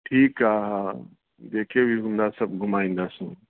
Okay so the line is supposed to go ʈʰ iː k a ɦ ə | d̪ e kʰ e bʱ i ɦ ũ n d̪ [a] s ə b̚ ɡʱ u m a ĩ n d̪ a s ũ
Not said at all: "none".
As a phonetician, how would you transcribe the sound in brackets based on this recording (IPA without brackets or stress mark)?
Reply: a